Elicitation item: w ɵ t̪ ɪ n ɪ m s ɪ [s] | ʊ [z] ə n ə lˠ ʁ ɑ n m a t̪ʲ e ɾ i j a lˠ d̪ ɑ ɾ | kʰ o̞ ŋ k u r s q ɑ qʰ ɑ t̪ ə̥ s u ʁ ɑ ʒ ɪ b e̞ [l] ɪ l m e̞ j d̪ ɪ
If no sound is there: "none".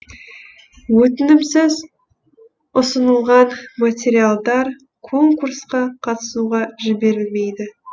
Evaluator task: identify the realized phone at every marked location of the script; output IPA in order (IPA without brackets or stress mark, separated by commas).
z, s, ɾ